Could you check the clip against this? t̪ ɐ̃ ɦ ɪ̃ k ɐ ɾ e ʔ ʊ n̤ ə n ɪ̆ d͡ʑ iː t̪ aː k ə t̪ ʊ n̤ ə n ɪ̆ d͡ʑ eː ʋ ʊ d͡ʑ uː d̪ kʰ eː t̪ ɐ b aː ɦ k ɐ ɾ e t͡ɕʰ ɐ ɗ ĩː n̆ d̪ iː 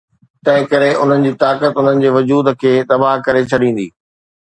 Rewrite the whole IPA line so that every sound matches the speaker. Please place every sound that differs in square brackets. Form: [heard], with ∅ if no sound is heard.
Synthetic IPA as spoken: t̪ ɐ̃ ɦ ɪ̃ k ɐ ɾ e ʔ ʊ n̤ ə n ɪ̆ d͡ʑ iː t̪ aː k ə t̪ ʊ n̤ ə n ɪ̆ d͡ʑ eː ʋ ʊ d͡ʑ uː d̪ kʰ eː t̪ ɐ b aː ɦ k ɐ ɾ e t͡ɕʰ ɐ ɗ ĩː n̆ d̪ iː